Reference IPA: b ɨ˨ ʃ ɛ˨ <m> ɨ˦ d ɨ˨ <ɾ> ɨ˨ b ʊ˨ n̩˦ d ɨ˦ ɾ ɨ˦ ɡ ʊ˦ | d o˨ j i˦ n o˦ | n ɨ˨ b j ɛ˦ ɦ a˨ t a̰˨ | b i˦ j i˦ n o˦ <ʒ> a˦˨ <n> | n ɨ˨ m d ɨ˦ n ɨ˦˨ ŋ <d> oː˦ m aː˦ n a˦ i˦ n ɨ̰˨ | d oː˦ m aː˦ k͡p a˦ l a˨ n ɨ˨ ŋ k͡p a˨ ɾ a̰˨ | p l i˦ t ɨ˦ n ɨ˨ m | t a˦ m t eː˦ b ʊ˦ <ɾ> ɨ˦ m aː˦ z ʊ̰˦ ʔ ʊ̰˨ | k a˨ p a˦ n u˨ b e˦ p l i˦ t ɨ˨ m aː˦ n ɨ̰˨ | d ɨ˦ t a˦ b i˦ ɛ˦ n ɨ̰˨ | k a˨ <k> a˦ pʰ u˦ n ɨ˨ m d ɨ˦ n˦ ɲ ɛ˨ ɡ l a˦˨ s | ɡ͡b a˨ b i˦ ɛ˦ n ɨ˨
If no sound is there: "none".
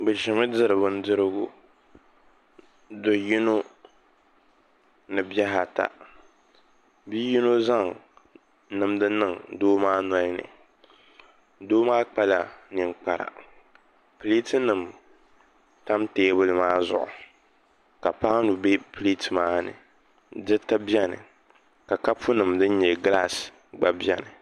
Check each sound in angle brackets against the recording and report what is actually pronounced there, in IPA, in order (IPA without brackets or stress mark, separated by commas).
m, ɾ, z, ŋ, d, l, k